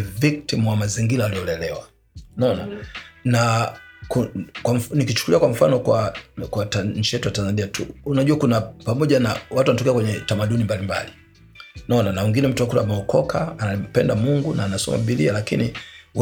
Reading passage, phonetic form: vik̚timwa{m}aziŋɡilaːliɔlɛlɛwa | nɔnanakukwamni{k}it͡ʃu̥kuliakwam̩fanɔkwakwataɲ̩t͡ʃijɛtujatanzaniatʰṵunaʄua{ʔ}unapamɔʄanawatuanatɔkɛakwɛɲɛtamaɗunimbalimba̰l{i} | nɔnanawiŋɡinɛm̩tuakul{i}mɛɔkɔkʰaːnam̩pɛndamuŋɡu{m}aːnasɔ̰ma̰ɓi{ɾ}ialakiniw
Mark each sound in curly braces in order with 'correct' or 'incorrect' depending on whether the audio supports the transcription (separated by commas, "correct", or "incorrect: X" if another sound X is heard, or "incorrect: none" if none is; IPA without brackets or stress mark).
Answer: correct, correct, incorrect: k, correct, incorrect: a, incorrect: n, incorrect: l